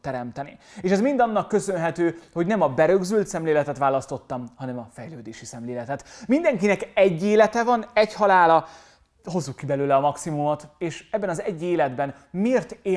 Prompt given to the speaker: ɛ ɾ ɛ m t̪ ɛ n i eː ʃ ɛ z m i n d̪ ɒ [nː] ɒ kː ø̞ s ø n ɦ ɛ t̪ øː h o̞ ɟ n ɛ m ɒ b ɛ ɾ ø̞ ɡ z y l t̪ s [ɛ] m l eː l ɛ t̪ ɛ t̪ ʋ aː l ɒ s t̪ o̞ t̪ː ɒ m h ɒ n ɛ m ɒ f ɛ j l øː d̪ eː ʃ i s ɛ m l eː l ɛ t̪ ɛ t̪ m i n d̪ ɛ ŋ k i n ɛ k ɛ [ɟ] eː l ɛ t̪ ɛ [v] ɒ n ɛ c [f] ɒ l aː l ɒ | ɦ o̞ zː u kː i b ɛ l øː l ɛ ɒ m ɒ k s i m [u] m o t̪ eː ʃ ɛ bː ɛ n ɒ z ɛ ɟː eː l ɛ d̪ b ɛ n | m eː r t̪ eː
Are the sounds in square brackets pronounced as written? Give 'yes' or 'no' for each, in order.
yes, yes, no, yes, no, yes

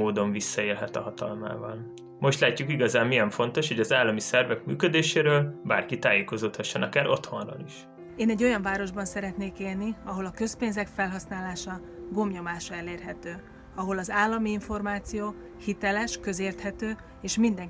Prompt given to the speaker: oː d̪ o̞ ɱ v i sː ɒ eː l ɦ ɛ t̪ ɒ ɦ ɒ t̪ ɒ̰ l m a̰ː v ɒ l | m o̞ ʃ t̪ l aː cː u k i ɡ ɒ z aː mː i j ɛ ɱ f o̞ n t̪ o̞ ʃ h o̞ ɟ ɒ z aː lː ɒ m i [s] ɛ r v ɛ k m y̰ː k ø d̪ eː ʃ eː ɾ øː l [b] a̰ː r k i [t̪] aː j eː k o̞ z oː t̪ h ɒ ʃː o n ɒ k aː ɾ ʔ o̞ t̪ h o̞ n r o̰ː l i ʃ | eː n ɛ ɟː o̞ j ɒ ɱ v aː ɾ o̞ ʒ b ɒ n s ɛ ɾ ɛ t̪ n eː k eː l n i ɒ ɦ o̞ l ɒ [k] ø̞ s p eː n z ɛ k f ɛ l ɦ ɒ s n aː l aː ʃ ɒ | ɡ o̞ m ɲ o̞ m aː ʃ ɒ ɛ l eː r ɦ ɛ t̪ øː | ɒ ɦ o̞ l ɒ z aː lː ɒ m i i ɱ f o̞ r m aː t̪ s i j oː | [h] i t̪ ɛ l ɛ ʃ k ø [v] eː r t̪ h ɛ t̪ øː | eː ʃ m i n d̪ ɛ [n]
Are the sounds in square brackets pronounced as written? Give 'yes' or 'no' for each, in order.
yes, yes, yes, yes, yes, no, no

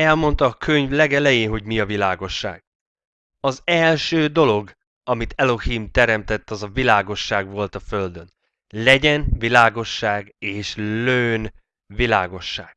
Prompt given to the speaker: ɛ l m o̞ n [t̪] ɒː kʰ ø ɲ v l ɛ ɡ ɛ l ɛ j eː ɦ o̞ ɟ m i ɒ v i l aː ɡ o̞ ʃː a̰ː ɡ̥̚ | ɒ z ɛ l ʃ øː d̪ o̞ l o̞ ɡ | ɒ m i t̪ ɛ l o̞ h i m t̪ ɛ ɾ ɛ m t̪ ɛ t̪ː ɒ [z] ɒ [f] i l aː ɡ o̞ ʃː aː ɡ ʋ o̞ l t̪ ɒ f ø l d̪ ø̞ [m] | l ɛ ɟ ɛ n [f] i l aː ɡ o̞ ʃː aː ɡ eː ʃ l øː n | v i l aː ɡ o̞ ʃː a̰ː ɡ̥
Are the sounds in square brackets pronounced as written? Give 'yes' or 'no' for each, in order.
yes, yes, no, no, no

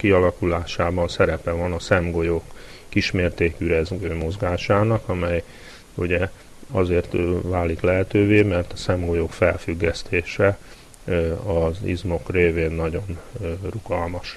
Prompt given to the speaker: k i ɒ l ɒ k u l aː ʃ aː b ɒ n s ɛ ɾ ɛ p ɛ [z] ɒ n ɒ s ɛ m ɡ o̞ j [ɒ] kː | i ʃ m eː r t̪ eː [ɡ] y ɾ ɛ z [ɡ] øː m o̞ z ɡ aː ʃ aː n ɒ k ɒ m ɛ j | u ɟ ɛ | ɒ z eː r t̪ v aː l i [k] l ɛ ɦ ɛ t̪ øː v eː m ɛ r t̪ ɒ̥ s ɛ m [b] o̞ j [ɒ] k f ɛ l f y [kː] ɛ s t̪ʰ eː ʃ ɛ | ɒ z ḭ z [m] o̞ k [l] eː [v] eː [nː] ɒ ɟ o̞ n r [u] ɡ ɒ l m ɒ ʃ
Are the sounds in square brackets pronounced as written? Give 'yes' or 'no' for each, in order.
no, no, no, yes, yes, no, no, no, yes, no, yes, yes, yes

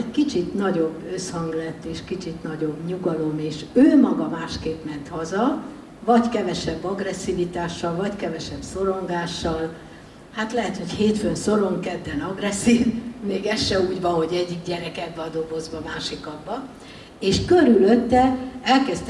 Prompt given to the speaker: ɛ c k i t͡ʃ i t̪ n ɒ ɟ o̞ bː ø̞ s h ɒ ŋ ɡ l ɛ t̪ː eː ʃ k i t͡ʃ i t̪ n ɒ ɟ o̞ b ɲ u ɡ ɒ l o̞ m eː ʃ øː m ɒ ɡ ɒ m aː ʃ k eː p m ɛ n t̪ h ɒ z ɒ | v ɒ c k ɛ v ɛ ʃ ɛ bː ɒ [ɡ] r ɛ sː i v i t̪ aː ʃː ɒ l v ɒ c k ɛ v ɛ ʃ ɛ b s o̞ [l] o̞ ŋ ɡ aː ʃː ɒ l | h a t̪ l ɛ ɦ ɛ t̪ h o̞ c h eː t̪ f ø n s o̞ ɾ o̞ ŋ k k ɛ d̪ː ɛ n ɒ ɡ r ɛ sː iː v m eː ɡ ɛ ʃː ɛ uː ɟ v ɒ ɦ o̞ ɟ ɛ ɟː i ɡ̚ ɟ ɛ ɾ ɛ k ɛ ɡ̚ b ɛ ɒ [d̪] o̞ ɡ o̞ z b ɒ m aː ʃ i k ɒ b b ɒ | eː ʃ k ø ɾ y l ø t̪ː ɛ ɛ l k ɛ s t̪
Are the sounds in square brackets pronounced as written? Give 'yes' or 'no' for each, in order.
yes, no, yes

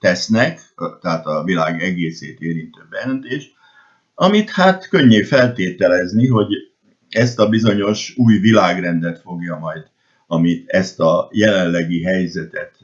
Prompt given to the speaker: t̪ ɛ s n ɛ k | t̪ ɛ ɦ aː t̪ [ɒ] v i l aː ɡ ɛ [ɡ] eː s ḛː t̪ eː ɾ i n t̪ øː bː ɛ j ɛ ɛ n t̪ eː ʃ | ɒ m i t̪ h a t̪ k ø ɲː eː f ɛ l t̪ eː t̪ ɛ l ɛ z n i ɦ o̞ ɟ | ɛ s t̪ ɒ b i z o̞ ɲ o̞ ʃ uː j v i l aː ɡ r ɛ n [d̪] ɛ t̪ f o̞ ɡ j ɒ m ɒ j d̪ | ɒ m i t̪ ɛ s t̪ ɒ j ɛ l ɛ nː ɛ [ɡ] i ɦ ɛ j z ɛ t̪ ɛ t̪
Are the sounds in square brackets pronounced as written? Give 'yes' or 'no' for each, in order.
yes, yes, yes, yes

